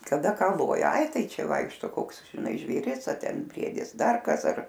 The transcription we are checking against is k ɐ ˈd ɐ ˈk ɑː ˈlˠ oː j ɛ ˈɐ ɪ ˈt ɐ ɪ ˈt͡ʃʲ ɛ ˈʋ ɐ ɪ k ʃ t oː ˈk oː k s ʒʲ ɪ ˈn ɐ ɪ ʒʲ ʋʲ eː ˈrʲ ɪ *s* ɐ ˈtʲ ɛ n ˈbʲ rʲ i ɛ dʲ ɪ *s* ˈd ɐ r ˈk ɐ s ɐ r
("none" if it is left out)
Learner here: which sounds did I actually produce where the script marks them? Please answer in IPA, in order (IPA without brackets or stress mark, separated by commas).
s, s